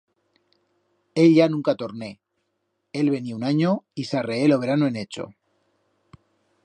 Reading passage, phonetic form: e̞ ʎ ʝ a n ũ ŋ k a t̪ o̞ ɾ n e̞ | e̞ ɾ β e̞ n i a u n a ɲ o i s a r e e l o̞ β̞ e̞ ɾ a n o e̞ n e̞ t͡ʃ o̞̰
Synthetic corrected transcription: e̞ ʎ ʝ a n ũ ŋ k a t̪ o̞ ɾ n e̞ | e̞ l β e̞ n i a u n a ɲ o i s a r e e l o̞ β̞ e̞ ɾ a n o e̞ n e̞ t͡ʃ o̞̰